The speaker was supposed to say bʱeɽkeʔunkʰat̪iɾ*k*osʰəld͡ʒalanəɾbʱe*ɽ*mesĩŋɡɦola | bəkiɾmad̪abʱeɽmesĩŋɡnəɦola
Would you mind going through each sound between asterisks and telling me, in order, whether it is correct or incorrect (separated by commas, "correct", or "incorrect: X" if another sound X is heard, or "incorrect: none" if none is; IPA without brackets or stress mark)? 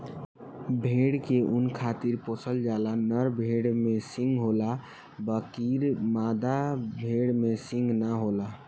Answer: incorrect: p, correct